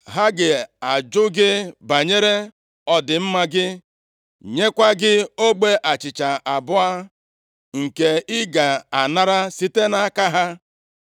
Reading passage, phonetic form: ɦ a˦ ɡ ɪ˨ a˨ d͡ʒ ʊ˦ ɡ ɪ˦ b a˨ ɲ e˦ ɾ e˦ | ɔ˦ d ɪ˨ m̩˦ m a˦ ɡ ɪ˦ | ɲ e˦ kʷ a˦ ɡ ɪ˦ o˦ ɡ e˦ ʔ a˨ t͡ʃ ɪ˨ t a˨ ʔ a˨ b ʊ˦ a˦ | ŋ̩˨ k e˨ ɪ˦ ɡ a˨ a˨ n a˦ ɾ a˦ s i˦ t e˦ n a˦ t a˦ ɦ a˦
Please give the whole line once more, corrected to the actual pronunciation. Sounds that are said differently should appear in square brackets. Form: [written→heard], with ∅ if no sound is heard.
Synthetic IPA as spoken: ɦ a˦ ɡ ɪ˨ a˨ d͡ʒ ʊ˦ ɡ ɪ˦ b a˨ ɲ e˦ ɾ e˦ | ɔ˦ d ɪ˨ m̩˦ m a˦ ɡ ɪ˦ | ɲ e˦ kʷ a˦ ɡ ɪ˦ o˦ [ɡ→ɡ͡b] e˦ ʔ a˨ t͡ʃ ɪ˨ [t→t͡ʃ] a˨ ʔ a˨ b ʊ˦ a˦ | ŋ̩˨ k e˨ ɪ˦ ɡ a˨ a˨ n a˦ ɾ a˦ s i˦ t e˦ n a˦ [t→k] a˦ ɦ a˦

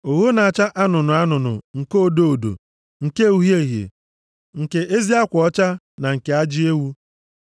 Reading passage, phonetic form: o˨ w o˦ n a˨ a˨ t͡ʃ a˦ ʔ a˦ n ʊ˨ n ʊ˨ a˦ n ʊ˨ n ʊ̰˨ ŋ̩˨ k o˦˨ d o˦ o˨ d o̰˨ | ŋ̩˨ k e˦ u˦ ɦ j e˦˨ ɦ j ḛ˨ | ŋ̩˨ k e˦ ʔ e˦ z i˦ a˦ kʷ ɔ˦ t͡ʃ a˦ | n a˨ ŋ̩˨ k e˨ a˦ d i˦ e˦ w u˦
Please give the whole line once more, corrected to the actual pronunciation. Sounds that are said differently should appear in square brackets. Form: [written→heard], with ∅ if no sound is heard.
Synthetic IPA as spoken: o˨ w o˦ n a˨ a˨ t͡ʃ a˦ ʔ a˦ n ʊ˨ n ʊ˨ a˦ n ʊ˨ n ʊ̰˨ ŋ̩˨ k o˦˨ d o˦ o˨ d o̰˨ | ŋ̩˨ k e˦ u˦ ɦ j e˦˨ ɦ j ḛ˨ | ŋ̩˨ k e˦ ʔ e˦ z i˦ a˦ kʷ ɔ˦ t͡ʃ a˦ | n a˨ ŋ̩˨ k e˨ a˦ [d→d͡ʒ] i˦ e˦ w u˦

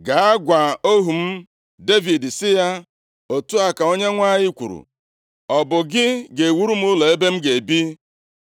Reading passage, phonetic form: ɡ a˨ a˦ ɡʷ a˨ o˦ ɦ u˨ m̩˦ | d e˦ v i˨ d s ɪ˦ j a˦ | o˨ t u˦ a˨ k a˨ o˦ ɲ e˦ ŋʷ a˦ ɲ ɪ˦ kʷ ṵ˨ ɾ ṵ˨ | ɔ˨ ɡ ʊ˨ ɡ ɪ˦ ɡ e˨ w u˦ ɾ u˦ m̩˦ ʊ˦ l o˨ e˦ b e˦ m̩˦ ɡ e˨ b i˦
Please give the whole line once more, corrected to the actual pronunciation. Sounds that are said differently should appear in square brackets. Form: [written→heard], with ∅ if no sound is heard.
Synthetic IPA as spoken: ɡ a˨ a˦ ɡʷ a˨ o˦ ɦ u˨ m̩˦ | d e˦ v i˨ d s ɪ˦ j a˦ | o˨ t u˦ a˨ k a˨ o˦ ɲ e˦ ŋʷ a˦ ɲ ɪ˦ kʷ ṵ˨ ɾ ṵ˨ | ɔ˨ [ɡ→b] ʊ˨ ɡ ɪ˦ ɡ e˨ w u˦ ɾ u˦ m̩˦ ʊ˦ l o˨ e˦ b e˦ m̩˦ ɡ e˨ b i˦

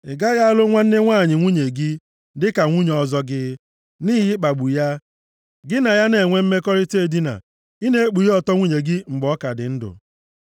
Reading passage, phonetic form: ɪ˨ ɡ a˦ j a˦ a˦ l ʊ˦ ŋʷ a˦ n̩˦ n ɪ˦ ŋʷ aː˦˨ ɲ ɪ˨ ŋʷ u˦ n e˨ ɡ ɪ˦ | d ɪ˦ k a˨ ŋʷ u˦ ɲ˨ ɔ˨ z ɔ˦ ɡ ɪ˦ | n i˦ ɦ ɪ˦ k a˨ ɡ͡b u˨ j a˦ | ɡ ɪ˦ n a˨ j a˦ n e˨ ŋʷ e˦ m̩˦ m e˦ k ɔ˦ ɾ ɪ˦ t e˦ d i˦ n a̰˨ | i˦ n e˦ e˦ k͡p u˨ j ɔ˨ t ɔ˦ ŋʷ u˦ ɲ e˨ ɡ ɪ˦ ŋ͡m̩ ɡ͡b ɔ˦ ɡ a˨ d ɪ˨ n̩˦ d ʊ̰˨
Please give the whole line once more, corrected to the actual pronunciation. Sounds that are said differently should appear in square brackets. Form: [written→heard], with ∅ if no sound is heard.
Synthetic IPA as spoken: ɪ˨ ɡ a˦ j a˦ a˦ l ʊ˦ ŋʷ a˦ n̩˦ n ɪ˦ ŋʷ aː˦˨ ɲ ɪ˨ ŋʷ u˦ [n→ɲ] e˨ ɡ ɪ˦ | d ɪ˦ k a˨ ŋʷ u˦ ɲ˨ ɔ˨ z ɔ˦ ɡ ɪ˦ | n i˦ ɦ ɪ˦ [k→k͡p] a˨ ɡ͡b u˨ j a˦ | ɡ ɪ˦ n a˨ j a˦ n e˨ ŋʷ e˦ m̩˦ m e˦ k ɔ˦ ɾ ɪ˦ t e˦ d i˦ n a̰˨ | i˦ n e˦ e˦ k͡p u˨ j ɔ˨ t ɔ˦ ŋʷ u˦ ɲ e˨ ɡ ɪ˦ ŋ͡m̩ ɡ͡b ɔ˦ [ɡ→k] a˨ d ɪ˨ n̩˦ d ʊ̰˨

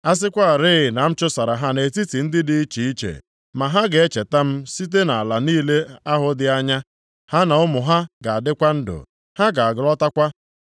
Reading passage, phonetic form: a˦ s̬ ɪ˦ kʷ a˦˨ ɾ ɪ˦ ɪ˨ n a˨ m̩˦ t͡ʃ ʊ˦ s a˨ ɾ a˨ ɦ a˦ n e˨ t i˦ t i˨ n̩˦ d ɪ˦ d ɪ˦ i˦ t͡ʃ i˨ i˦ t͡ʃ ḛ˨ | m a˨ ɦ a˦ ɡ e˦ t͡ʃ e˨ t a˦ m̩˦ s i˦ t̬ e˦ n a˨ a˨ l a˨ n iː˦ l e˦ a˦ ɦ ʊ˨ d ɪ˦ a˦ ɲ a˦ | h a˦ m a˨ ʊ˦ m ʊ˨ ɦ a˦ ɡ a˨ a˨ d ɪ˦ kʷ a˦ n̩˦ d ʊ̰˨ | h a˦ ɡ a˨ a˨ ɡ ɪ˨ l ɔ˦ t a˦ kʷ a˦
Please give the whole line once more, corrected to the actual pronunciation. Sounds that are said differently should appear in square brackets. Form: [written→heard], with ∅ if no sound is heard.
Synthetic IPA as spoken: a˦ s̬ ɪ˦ kʷ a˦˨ ɾ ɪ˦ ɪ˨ n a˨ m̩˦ t͡ʃ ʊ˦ s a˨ ɾ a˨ ɦ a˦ n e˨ t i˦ t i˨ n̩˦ d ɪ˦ d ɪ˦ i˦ t͡ʃ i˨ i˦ t͡ʃ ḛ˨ | m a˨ ɦ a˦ ɡ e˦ t͡ʃ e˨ t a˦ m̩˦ s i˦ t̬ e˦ n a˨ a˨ l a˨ n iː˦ l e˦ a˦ ɦ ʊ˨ d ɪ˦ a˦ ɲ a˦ | h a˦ [m→n] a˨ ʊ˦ m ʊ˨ ɦ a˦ ɡ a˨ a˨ d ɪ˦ kʷ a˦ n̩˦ d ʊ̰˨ | h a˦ ɡ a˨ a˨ ɡ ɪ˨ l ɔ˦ t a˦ kʷ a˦

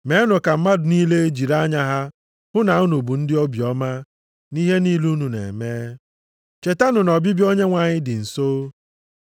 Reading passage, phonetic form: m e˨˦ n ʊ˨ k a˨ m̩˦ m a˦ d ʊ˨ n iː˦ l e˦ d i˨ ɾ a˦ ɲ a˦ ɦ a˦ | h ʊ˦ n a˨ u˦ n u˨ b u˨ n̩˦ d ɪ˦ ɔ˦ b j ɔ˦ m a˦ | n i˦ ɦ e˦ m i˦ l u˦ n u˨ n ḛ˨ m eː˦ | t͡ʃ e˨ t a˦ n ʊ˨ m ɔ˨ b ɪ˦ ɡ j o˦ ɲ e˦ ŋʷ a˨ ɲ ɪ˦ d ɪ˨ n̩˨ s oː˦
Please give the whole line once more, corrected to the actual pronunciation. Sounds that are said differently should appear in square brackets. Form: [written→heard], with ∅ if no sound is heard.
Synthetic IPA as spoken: m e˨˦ n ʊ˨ k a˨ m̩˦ m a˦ d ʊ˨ n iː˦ l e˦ [d→d͡ʒ] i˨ ɾ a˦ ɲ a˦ ɦ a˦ | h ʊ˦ n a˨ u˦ n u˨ b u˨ n̩˦ d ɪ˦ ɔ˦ b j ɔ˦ m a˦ | n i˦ ɦ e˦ [m→n] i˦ l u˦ n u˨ n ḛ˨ m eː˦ | t͡ʃ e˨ t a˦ n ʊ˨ [m→n] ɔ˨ b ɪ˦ [ɡ→b] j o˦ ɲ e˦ ŋʷ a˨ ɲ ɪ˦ d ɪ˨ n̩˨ s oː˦

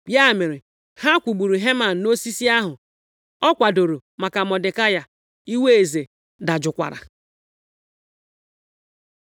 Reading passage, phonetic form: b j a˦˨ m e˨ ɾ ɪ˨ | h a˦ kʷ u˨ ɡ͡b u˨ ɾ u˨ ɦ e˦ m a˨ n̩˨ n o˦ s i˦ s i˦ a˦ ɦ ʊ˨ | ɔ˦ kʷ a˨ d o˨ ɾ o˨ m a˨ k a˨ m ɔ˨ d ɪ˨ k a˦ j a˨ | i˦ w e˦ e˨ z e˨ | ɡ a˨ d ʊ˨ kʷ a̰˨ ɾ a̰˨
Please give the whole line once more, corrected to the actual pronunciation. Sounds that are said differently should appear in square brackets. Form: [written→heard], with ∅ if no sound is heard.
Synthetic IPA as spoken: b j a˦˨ m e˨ ɾ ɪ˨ | h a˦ kʷ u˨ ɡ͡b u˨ ɾ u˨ ɦ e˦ m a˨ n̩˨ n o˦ s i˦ s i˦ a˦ ɦ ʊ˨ | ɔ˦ kʷ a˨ d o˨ ɾ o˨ m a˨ k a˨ m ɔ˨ d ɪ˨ k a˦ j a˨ | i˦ w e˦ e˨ z e˨ | [ɡ→d] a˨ [d→d͡ʒ] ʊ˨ kʷ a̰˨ ɾ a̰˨

